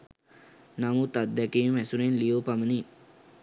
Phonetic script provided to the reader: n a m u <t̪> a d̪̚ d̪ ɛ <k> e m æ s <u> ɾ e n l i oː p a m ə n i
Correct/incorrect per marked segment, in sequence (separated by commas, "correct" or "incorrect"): correct, correct, correct